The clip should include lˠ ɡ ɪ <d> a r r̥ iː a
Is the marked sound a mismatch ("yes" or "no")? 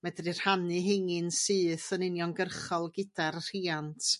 no